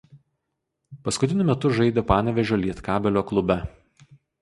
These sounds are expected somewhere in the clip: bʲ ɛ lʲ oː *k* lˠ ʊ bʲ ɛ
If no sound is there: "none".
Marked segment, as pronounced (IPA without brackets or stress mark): k